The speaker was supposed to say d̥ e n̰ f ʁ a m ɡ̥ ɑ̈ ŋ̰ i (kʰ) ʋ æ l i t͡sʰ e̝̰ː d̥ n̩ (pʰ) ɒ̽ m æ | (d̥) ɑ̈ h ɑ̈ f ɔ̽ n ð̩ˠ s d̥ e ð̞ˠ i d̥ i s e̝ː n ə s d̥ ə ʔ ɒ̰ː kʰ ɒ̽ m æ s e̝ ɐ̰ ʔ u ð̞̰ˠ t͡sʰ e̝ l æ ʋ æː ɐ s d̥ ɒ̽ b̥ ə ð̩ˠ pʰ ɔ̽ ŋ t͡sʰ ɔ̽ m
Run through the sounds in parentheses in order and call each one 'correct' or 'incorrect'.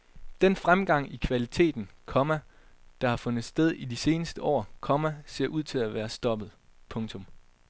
correct, incorrect: kʰ, correct

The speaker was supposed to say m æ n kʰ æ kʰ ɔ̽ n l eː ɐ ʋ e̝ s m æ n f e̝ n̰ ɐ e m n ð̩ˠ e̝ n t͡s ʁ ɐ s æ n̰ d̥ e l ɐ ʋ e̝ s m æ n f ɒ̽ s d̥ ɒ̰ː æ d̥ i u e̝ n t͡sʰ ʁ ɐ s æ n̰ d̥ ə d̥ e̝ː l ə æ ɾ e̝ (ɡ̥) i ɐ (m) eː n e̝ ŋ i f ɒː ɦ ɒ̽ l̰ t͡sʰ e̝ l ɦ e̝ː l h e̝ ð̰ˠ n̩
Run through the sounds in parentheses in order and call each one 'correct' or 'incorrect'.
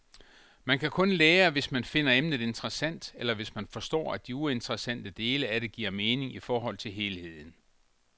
correct, correct

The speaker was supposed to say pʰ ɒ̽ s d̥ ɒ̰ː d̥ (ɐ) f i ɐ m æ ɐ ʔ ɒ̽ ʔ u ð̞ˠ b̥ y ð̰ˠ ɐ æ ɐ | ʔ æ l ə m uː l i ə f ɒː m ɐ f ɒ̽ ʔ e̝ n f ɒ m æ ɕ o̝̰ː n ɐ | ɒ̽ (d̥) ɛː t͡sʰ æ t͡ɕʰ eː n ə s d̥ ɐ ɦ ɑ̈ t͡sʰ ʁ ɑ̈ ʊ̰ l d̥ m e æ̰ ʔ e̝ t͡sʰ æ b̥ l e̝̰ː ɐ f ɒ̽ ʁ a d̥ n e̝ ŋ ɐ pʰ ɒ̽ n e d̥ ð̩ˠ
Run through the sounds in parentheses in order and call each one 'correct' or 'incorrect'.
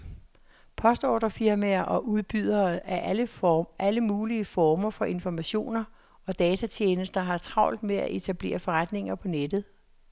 correct, correct

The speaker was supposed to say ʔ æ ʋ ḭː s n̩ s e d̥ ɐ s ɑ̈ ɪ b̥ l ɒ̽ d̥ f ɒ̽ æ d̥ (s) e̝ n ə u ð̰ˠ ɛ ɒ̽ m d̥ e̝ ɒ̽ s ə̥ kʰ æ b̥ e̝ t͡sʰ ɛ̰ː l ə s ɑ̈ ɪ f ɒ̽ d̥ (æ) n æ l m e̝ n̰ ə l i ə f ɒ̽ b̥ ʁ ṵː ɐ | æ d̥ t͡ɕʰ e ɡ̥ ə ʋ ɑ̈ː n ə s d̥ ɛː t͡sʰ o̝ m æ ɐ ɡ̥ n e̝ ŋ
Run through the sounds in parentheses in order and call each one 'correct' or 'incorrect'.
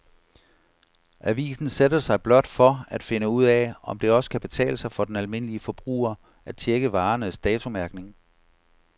incorrect: f, incorrect: e

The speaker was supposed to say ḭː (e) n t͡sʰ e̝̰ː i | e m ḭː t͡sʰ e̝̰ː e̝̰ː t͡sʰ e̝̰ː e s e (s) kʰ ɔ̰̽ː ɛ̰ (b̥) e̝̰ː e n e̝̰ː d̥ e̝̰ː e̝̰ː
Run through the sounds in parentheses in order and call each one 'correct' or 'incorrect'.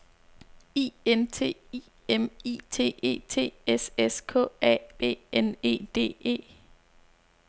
correct, correct, correct

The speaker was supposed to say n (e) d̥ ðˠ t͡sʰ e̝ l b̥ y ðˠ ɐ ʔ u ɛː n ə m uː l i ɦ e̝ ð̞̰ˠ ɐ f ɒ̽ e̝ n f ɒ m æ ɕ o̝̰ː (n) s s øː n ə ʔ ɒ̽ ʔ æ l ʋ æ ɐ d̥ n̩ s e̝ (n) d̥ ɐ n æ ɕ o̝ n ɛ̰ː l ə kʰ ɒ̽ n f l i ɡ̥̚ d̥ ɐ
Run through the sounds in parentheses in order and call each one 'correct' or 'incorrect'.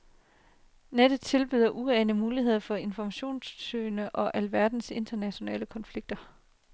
correct, correct, correct

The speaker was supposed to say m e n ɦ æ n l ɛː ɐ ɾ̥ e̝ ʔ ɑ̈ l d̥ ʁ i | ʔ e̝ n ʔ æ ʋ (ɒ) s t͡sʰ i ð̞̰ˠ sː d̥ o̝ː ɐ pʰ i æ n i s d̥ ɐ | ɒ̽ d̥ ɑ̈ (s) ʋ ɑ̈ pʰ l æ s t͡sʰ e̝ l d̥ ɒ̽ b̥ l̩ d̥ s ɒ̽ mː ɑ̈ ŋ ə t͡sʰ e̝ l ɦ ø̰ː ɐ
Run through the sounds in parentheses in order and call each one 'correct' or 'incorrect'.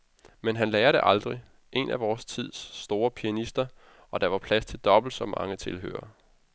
incorrect: ɒː, incorrect: none

